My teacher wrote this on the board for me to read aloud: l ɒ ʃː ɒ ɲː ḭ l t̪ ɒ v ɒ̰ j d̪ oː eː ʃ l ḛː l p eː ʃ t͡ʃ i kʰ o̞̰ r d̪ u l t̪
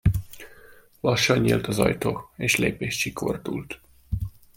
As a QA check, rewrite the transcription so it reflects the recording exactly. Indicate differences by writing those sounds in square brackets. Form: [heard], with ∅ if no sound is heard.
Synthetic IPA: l ɒ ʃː ɒ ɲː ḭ l t̪ ɒ [z] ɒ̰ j [t̪] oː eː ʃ l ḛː [∅] p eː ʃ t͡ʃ i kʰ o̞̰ r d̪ u l t̪